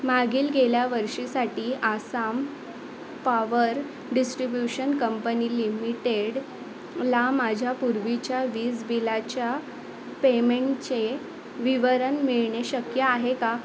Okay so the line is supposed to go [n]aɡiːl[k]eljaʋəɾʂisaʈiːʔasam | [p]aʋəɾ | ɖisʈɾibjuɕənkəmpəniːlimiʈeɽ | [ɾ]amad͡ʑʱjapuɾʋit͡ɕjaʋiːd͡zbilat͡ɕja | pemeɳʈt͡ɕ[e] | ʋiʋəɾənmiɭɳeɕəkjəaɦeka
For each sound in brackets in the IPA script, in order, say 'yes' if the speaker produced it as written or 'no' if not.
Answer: no, no, yes, no, yes

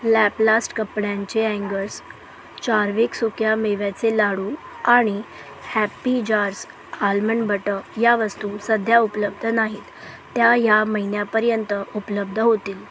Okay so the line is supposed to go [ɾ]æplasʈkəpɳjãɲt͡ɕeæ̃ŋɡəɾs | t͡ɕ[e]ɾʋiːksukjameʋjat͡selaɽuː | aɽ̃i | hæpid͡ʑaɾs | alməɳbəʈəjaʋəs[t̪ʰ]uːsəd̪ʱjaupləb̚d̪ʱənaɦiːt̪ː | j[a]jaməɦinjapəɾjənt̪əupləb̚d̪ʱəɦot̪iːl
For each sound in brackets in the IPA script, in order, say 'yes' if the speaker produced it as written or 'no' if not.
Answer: no, no, no, yes

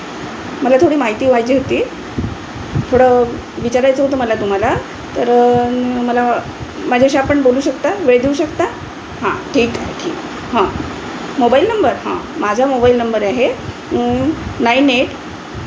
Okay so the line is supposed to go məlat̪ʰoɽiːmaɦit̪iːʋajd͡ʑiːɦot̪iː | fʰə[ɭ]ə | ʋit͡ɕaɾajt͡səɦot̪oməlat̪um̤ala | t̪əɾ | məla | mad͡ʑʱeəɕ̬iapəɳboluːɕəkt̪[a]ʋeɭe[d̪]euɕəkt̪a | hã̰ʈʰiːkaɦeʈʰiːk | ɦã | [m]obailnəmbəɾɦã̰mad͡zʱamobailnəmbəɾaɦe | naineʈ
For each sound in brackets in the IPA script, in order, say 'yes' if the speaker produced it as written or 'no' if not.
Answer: no, yes, yes, yes

